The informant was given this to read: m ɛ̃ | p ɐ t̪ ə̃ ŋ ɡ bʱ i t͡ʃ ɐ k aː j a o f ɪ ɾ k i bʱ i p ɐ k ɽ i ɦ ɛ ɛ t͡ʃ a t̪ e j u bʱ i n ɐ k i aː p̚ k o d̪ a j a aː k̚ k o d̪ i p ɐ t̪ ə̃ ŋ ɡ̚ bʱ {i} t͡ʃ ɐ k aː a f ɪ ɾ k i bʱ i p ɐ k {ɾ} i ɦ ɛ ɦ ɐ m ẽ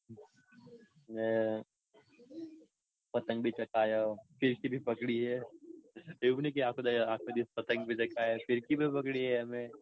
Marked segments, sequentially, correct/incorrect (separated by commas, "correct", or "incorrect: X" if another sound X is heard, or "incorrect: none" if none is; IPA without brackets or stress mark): correct, incorrect: ɽ